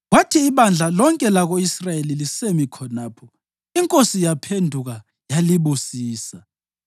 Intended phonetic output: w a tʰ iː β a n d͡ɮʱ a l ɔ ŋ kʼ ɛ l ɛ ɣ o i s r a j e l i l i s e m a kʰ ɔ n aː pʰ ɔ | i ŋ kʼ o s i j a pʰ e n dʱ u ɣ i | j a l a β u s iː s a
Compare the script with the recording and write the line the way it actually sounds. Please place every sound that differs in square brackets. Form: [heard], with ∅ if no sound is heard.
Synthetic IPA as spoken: w a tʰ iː β a n d͡ɮʱ a l ɔ ŋ kʼ ɛ l [a] ɣ o i s r a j e l i l i s e m [i] kʰ ɔ n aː pʰ ɔ | i ŋ kʼ o s i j a pʰ e n dʱ u ɣ [a] | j a l [i] β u s iː s a